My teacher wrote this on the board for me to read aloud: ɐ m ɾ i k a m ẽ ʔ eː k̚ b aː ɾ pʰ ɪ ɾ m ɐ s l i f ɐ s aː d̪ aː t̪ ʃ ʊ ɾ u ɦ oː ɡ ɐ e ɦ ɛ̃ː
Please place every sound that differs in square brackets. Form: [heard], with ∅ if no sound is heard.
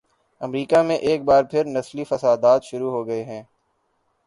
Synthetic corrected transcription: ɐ m ɾ [iː] k a m ẽ ʔ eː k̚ b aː ɾ pʰ ɪ ɾ [n] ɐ s l i f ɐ s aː d̪ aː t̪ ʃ ʊ ɾ u ɦ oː ɡ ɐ e ɦ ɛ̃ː